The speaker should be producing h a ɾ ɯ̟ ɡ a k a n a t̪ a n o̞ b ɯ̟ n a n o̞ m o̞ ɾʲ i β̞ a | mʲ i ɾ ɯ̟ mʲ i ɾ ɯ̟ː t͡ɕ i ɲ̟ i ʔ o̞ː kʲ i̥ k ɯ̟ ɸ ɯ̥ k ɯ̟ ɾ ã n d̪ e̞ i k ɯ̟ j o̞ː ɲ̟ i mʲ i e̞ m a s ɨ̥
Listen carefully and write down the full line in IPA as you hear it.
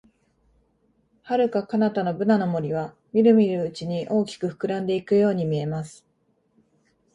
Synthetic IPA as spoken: h a ɾ ɯ̟ k a k a n a t̪ a n o̞ b ɯ̟ n a n o̞ m o̞ ɾʲ i β̞ a | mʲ i ɾ ɯ̟ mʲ i ɾ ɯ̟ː t͡ɕ i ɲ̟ i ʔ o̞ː kʲ i̥ k ɯ̟ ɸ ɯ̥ k ɯ̟ ɾ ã n d̪ e̞ i k ɯ̟ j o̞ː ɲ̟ i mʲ i e̞ m a s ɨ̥

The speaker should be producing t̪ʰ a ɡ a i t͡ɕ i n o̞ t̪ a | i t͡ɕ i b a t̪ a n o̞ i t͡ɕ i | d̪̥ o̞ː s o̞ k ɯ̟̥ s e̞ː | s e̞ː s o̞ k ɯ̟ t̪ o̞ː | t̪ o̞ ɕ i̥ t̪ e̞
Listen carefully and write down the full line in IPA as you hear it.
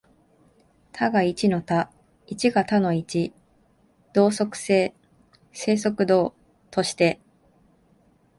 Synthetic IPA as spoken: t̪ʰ a ɡ a i t͡ɕ i n o̞ t̪ a | i t͡ɕ i ɡ a t̪ a n o̞ i t͡ɕ i | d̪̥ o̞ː s o̞ k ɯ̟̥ s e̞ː | s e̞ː s o̞ k ɯ̟ d̪ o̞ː | t̪ o̞ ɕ i̥ t̪ e̞

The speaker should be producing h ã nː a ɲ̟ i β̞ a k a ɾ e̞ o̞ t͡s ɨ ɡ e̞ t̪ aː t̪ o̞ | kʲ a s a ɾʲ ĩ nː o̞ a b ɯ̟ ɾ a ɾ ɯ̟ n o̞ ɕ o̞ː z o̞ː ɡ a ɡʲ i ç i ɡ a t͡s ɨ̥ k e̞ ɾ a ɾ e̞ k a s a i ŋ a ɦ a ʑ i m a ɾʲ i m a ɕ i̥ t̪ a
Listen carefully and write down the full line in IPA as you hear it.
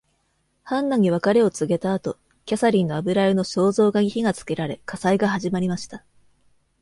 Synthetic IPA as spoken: h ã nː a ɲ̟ i β̞ a k a ɾ e̞ o̞ t͡s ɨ ɡ e̞ t̪ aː t̪ o̞ | kʲ a s a ɾʲ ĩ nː o̞ a b ɯ̟ ɾ a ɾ ɯ̟ n o̞ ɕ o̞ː z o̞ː ɡ a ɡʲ i ç i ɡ a t͡s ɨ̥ k e̞ ɾ a ɾ e̞ k a s a i ɡ a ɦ a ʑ i m a ɾʲ i m a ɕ i̥ t̪ a

